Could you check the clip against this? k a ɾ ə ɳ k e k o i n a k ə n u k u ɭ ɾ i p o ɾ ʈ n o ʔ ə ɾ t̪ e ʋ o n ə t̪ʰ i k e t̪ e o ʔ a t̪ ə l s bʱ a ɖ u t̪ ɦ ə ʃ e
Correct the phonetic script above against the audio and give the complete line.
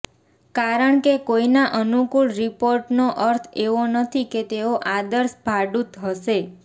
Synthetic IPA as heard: k a ɾ ə ɳ k e k o i n a ʔ ə n u k u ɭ ɾ i p o ɾ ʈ n o ʔ ə ɾ t̪ʰ e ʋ o n ə t̪ʰ i k e t̪ e o ʔ a d̪ ə ɾ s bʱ a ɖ u t̪ ɦ ə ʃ e